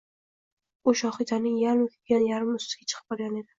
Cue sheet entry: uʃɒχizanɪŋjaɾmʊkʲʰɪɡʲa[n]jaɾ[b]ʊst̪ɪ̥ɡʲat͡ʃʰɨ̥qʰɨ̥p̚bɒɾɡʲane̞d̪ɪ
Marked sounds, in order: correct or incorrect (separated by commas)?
correct, incorrect